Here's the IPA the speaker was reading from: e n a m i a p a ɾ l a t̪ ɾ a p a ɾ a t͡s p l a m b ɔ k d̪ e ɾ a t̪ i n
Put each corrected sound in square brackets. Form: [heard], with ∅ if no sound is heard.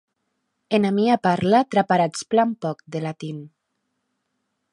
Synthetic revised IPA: e n a m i a p a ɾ l a t̪ ɾ a p a ɾ a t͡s p l a m [p] ɔ k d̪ e [l] a t̪ i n